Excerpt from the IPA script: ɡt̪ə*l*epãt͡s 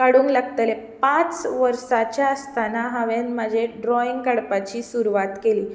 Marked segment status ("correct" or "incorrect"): correct